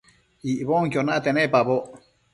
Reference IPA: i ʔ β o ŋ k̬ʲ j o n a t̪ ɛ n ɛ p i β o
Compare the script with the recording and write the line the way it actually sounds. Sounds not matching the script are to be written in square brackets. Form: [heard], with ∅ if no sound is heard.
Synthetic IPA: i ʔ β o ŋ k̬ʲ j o n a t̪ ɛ n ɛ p [a] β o